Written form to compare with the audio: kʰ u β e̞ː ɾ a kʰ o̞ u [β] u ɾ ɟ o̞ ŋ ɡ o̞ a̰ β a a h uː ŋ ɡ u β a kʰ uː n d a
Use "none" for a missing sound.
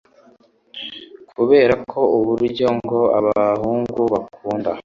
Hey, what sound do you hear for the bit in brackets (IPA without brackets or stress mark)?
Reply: β